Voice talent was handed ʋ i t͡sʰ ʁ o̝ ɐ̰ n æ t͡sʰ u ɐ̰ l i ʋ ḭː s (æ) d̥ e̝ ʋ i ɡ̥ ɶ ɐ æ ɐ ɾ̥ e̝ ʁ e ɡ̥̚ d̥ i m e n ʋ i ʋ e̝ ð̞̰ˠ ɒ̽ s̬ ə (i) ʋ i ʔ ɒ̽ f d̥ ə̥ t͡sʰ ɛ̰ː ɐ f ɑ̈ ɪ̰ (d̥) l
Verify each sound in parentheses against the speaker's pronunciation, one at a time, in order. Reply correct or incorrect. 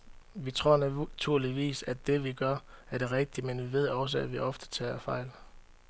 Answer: correct, incorrect, incorrect

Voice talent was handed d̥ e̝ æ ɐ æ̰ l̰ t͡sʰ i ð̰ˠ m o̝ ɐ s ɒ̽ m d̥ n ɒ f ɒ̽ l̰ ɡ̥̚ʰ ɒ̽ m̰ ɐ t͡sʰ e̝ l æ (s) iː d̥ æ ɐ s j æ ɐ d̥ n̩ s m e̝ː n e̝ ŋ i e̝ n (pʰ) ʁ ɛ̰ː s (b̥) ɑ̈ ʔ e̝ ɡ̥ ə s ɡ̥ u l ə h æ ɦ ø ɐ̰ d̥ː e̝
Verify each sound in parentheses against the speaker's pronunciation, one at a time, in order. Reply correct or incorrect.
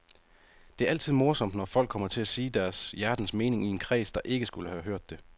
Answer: correct, incorrect, incorrect

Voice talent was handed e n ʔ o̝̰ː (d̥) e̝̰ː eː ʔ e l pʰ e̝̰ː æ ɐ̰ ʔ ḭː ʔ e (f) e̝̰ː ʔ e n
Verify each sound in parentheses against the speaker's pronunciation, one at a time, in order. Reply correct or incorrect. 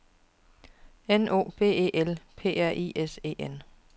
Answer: incorrect, incorrect

